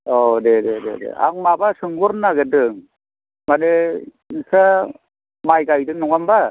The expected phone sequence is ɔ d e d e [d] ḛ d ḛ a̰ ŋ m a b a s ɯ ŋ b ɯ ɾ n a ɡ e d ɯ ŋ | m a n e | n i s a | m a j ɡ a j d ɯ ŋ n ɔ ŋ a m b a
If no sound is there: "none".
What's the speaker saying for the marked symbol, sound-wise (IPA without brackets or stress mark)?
d